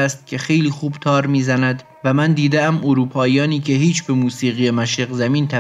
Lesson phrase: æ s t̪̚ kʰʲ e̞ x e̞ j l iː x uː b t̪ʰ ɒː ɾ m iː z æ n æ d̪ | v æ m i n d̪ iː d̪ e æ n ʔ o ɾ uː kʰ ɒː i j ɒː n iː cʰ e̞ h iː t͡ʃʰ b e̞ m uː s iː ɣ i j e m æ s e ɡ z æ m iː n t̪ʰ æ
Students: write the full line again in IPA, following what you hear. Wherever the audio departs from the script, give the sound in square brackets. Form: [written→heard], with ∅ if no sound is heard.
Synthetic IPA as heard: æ s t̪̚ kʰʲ e̞ x e̞ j l iː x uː b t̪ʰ ɒː ɾ m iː z æ n æ d̪ | v æ m [i→æ] n d̪ iː d̪ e æ [n→m] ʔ o ɾ uː [kʰ→pʰ] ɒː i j ɒː n iː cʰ e̞ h iː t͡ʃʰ b e̞ m uː s iː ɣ i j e m æ [s→ʃ] e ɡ z æ m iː n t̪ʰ æ